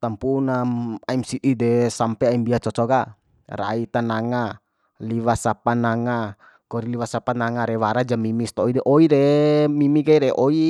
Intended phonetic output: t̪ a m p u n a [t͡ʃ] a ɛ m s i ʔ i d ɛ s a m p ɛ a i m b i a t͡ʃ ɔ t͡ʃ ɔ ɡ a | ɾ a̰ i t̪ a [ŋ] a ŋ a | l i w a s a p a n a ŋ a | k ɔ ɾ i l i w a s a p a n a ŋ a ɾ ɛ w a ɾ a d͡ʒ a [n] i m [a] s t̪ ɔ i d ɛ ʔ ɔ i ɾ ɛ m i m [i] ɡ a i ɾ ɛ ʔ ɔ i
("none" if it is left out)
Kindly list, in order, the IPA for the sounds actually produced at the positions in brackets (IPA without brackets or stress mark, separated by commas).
none, n, m, i, i